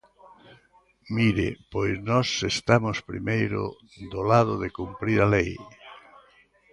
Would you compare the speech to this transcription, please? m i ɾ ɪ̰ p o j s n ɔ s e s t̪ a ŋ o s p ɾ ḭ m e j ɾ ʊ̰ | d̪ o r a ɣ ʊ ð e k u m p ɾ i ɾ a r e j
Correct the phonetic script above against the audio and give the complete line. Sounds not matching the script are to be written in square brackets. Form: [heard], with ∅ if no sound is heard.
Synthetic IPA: m i ɾ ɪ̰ p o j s n ɔ s e s t̪ a [m] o s p ɾ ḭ m e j ɾ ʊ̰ | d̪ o [l] a [ð] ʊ ð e k u m p ɾ i ɾ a [l] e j